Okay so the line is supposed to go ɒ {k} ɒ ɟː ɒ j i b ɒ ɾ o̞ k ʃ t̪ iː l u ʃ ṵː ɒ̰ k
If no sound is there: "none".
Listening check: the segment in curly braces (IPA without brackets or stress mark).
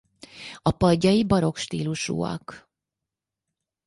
p